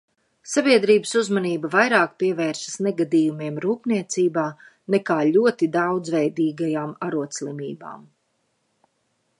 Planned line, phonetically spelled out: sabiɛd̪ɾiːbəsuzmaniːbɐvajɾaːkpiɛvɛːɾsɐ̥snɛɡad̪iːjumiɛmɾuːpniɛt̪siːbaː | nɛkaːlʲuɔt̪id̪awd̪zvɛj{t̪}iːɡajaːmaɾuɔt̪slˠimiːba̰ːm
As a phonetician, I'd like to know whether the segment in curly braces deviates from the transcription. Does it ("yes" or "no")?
yes